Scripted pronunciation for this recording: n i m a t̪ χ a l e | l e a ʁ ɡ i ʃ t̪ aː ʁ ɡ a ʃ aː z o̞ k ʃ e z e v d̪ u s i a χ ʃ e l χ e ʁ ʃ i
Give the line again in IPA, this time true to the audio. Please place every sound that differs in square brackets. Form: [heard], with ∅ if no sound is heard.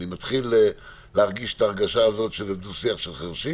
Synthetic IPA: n i m a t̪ χ [i] l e | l e a ʁ ɡ i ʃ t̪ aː ʁ ɡ a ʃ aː z o̞ [t] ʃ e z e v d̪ u s i a χ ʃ e l χ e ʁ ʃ i

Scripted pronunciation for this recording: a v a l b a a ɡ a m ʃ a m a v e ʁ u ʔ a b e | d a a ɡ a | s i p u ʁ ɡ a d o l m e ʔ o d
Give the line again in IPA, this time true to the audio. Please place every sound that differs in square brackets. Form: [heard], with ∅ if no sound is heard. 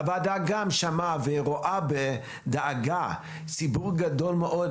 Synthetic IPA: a v a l [d] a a ɡ a m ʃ a m a v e ʁ [o] ʔ a b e | d a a ɡ a | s i [b] u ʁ ɡ a d o l m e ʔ o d

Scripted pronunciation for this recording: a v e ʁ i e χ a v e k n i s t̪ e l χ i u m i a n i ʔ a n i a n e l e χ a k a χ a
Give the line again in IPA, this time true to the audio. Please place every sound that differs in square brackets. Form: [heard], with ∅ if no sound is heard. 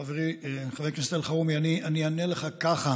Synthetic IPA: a v e ʁ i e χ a v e k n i s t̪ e l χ [a] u m i a n i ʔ a n i a n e l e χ a k a χ a

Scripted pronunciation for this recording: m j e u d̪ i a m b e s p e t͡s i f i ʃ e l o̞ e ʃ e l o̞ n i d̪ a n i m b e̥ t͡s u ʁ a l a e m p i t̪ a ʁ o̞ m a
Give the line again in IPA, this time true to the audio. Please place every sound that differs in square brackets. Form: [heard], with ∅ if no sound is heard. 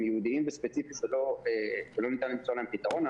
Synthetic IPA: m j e u d̪ i [i] m b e s p e t͡s i f i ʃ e l o̞ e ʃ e l o̞ n i [t̪] a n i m b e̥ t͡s u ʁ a l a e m p i t̪ a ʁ o̞ [n] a

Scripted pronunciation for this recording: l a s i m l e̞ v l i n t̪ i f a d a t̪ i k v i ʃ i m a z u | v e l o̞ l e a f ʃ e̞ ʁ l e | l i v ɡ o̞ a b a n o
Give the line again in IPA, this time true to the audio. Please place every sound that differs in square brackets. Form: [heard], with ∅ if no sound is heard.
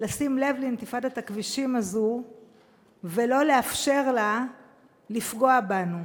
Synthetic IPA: l a s i m l e̞ v l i n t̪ i f a d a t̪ [a] k v i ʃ i m a z u | v e l o̞ l e a f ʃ e̞ ʁ l [a] | l i [f] ɡ o̞ a b a n [u]

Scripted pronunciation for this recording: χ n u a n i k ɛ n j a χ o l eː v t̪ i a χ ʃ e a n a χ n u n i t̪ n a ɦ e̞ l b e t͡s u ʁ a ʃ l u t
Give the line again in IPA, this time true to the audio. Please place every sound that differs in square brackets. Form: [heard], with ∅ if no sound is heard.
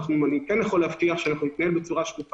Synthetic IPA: χ n u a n i k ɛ n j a χ o l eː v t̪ i a χ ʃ e a n a χ n u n i t̪ n a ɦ e̞ l b e t͡s u ʁ a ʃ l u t

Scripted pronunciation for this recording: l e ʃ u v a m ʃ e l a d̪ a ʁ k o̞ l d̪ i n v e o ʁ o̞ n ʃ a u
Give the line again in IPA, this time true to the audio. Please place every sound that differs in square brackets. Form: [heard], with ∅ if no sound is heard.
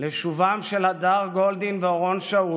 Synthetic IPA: l e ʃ u v a m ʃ e l a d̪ a ʁ [ɡ] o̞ l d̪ i n v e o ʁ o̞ n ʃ a u

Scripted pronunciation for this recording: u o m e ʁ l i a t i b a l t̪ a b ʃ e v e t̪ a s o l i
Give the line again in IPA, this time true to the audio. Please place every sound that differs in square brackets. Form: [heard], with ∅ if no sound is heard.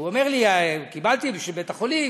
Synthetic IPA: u o m e ʁ l i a [k] i b a l t̪ [i] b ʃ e [b] e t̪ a [χ] o l i

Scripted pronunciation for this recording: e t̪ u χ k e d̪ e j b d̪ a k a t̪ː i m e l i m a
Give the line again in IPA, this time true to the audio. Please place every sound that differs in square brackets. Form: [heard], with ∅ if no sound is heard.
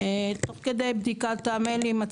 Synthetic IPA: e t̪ [o] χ k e d̪ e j b d̪ [i] k a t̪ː [a] m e l i m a

